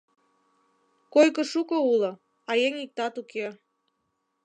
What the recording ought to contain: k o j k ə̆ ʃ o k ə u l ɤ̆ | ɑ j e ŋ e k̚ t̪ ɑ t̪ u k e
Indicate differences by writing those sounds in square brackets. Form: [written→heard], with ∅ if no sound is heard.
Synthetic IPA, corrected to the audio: k o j k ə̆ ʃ [o→u] k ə u l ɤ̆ | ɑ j e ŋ [e→i] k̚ t̪ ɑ t̪ u k e